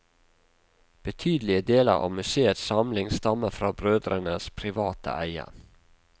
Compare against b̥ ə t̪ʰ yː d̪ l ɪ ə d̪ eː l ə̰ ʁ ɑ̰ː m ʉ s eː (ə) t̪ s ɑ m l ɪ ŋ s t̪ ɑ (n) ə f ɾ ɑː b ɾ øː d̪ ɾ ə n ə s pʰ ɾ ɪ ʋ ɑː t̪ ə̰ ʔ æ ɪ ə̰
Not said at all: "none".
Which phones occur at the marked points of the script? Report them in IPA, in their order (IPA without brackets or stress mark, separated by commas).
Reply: ə, m